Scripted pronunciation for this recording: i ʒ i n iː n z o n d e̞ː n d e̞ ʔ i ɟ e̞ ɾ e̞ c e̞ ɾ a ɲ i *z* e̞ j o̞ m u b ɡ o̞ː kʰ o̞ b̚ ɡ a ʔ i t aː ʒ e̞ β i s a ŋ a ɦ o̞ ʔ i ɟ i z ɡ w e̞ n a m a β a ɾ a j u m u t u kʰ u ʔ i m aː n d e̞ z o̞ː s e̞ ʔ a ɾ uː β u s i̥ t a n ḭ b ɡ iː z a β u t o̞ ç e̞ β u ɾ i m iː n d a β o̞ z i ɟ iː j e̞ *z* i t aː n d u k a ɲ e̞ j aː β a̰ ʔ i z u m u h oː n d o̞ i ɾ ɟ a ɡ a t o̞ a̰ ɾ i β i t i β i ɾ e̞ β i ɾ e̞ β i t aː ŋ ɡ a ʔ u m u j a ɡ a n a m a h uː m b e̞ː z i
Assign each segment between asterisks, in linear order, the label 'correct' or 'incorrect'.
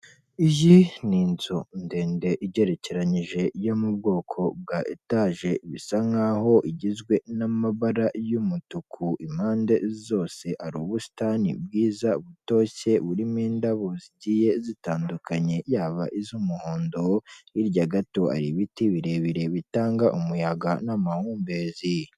incorrect, correct

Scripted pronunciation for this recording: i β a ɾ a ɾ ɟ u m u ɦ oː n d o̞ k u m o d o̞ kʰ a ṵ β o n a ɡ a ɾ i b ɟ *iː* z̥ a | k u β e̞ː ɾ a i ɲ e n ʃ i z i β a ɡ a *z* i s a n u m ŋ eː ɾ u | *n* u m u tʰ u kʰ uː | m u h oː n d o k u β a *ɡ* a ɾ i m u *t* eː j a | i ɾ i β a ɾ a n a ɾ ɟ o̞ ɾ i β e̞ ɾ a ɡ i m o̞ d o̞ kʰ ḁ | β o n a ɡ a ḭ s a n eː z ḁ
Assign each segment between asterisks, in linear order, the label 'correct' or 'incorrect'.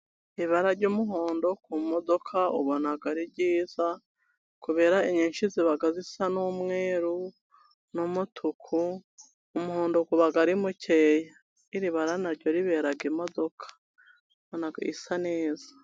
correct, correct, correct, correct, incorrect

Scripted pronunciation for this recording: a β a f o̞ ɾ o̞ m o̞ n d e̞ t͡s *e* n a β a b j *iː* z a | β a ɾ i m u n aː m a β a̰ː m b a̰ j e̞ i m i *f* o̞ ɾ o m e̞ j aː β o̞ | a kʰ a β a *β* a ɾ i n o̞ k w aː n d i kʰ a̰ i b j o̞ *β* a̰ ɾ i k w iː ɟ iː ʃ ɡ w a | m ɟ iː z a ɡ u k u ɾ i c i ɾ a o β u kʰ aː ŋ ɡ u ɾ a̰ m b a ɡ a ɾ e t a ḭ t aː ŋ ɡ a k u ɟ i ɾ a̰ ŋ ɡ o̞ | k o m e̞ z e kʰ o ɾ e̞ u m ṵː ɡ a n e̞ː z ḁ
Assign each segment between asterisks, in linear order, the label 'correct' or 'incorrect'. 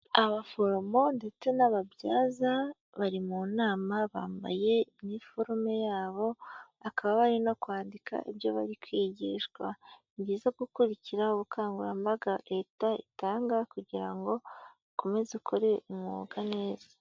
correct, incorrect, correct, correct, correct

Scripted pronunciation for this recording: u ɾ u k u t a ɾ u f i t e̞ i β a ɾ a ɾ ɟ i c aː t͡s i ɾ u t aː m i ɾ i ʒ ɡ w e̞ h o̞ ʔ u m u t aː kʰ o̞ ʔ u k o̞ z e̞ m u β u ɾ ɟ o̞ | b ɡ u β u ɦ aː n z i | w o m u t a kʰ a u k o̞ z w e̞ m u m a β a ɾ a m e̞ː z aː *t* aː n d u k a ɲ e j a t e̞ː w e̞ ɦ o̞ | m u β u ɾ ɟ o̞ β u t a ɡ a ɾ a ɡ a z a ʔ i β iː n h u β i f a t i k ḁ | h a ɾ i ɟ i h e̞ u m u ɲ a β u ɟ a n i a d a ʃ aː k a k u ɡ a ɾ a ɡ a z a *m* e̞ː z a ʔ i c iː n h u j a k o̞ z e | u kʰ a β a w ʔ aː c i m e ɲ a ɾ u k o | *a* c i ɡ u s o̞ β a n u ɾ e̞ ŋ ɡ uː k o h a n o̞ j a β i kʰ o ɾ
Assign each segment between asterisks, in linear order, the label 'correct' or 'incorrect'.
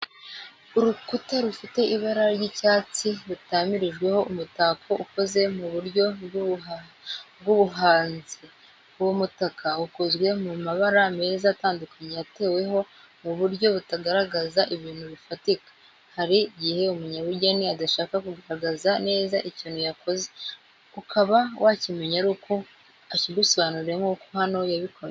correct, incorrect, correct

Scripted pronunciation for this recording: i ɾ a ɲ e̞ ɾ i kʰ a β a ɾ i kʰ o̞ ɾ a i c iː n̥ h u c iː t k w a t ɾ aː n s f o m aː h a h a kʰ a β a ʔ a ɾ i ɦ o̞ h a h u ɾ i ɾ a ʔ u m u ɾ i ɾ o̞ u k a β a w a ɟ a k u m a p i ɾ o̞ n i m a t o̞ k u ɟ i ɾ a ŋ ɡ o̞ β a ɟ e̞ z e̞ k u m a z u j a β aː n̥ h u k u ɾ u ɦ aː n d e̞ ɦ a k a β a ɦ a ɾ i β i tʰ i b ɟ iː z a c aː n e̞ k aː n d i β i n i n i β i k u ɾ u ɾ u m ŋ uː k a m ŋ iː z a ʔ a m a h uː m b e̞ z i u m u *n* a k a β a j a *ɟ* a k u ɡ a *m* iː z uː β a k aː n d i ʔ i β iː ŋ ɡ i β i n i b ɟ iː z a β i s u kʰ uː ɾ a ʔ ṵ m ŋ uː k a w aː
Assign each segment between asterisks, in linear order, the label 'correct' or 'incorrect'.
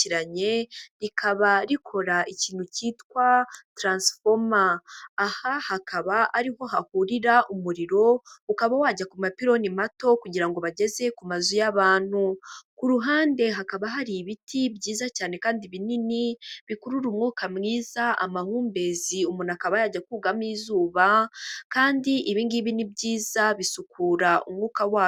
correct, correct, correct

